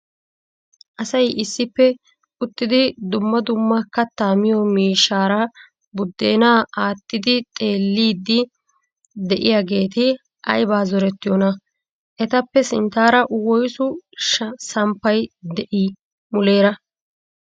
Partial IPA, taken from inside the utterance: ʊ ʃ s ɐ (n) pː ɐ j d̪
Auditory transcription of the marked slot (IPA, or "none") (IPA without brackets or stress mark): m